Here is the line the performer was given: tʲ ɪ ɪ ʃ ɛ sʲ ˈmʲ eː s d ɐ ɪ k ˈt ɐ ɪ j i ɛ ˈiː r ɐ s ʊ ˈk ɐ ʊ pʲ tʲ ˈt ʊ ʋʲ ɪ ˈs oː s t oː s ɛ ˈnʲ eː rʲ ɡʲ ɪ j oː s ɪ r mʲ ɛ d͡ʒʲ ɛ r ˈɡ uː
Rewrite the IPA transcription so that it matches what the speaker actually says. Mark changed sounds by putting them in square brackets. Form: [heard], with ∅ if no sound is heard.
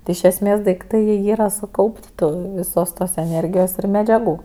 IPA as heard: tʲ ɪ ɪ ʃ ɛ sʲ ˈmʲ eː s d ɐ ɪ k ˈt ɐ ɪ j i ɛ ˈiː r ɐ s ʊ ˈk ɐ ʊ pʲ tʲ ˈt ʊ ʋʲ ɪ ˈs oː s t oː s ɛ ˈnʲ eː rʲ ɡʲ ɪ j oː s ɪ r mʲ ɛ d͡ʒʲ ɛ [∅] ˈɡ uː